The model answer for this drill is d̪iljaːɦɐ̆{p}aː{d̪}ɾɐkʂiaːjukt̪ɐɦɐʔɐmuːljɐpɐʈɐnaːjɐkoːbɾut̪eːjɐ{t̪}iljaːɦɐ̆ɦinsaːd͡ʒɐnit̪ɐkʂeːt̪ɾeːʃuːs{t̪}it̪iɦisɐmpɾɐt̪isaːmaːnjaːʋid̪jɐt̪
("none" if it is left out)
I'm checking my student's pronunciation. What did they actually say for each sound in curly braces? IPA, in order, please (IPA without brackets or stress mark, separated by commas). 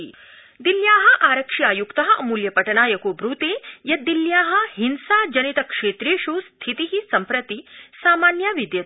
ʔ, none, d̪, t̪ʰ